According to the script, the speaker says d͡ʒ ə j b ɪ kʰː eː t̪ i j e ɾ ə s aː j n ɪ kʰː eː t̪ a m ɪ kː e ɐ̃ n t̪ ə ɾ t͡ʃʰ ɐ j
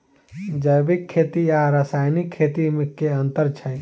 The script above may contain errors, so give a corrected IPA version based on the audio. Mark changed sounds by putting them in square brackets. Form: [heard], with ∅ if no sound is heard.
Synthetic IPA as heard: d͡ʒ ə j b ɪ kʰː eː t̪ i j [a] ɾ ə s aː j n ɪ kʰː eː t̪ [i] m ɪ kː e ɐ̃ n t̪ ə ɾ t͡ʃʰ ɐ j